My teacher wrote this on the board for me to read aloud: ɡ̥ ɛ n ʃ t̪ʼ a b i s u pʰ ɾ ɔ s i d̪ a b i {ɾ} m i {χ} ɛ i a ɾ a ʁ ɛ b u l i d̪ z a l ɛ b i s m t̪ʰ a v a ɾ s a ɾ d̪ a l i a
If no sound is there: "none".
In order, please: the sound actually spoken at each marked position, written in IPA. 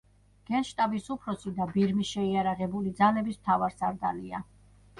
ɾ, ʃ

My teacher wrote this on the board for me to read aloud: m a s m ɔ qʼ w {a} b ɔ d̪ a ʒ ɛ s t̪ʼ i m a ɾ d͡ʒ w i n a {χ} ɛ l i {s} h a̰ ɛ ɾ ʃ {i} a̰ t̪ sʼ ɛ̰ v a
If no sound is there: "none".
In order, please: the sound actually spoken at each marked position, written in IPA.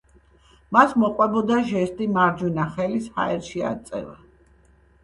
ɛ, χ, s, i

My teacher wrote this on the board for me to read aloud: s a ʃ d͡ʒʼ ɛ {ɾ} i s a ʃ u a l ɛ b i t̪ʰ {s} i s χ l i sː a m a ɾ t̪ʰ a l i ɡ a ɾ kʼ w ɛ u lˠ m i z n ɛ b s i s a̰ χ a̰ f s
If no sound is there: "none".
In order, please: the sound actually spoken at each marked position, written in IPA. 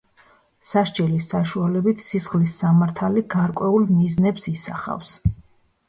l, s

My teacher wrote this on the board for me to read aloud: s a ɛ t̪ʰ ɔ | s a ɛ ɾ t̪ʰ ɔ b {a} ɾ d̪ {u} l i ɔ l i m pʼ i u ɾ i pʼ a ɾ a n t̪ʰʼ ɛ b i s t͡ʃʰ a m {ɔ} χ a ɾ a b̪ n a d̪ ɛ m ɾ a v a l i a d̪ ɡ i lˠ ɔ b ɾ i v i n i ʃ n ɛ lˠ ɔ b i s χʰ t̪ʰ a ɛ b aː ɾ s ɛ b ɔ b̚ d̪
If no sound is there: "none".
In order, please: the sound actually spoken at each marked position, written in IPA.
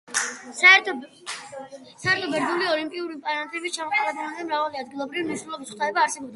ɛ, u, ɔ

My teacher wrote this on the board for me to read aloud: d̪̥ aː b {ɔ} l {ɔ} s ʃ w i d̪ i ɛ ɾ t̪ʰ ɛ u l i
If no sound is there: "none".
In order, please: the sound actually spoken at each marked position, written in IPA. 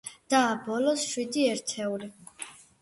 ɔ, ɔ

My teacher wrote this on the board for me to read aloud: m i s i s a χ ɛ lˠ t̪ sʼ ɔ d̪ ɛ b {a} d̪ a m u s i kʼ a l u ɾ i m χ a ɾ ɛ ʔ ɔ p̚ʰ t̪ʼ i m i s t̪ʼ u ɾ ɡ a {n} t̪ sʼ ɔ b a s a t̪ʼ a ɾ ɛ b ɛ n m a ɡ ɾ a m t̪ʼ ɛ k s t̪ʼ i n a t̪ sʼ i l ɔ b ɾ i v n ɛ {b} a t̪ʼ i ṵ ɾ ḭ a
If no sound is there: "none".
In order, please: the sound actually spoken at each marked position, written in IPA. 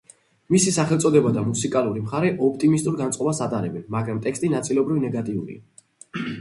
a, n, ɡ

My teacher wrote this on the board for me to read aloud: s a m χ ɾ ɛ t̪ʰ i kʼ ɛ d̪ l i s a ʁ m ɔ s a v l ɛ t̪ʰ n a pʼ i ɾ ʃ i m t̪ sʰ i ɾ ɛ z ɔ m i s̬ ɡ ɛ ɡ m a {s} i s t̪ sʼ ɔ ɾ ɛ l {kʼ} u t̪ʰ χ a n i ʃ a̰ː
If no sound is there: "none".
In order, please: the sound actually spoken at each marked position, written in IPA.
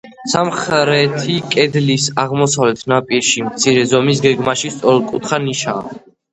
ʃ, kʼ

